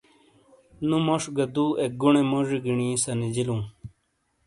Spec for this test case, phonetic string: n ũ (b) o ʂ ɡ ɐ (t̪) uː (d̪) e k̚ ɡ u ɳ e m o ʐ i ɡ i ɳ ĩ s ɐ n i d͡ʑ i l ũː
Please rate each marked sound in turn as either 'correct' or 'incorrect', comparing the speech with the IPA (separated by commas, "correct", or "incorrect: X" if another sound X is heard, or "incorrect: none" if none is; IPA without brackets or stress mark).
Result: incorrect: m, incorrect: d̪, incorrect: none